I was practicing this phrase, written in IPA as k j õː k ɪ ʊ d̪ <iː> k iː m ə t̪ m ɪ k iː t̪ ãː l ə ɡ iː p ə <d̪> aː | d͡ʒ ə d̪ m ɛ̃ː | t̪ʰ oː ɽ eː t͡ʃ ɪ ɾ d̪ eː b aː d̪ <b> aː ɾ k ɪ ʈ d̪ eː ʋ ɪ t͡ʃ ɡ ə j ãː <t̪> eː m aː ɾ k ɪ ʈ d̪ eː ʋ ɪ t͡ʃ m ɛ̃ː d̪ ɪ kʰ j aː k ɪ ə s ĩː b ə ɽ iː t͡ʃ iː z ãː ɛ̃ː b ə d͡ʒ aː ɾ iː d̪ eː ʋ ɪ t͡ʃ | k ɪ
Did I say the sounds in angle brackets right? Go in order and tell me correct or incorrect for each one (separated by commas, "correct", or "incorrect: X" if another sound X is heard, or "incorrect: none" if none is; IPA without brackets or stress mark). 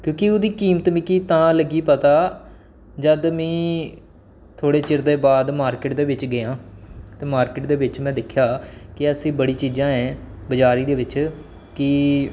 correct, incorrect: t̪, incorrect: m, correct